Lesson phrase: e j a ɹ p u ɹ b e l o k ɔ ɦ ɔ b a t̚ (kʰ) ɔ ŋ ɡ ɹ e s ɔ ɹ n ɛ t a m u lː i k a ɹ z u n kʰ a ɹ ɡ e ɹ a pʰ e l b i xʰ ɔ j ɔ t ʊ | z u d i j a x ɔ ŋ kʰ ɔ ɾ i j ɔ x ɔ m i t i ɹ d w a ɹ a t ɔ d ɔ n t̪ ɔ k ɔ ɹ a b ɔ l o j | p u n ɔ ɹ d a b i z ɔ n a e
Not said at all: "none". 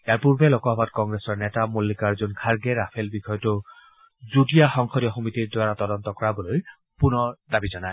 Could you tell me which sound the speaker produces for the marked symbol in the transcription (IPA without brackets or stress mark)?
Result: k